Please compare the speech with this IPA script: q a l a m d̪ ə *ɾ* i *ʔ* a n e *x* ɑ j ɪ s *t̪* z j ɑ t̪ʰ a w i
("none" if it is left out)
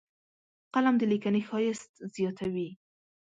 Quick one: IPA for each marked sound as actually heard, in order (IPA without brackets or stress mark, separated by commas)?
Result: l, k, x, t̪